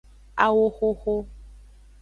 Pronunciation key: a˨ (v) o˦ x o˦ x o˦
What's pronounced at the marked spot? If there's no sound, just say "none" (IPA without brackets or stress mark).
w